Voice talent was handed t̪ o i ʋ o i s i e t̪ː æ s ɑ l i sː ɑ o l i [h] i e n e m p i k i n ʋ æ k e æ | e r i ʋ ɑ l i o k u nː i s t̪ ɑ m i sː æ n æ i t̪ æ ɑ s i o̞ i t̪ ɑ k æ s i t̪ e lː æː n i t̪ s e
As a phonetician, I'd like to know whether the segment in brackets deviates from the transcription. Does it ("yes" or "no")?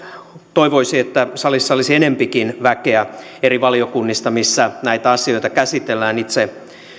yes